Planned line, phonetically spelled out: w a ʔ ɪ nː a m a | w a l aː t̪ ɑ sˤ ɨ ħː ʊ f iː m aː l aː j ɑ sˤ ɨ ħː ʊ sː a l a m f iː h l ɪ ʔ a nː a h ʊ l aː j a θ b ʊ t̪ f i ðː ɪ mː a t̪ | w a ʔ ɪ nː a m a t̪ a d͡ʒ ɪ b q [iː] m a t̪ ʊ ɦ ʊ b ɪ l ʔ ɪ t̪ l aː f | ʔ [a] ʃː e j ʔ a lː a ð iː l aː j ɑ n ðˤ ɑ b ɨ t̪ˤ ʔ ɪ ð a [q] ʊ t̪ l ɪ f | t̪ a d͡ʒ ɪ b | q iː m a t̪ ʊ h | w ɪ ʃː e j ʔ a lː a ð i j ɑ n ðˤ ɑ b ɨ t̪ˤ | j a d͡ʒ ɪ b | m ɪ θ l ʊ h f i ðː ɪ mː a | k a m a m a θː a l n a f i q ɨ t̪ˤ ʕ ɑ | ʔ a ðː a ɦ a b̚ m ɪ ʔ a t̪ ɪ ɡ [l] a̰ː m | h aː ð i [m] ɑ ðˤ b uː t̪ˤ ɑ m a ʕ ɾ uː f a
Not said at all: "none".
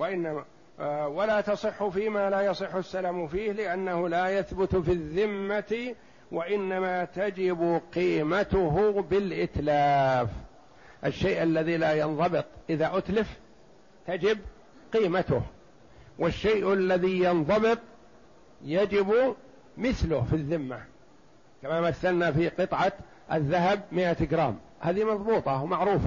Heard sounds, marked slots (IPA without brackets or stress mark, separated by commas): iː, a, ʔ, ɾ, m